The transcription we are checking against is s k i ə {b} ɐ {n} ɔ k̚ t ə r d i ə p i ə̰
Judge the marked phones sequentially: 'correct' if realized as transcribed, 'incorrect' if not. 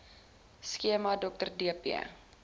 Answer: incorrect, incorrect

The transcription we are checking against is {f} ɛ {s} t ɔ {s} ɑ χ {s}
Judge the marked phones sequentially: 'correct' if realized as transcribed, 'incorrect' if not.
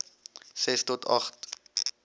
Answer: incorrect, correct, incorrect, incorrect

